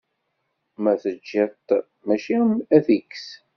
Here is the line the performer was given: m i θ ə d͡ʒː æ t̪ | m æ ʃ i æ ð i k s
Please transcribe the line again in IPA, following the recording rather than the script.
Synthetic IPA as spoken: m æ θ ə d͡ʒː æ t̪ | m æ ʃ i æ θ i k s